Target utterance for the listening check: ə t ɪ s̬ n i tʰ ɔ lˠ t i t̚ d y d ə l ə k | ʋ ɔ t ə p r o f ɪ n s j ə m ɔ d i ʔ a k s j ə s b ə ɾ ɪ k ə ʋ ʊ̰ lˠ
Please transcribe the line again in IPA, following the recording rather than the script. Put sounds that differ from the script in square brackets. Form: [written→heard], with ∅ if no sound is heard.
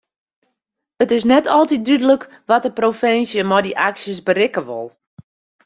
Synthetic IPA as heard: ə t ɪ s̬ n [i→ɛ] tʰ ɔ lˠ t i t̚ d y d ə l ə k | ʋ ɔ t ə p r o f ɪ n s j ə m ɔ d i ʔ a k s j ə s b ə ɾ ɪ k ə ʋ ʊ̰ lˠ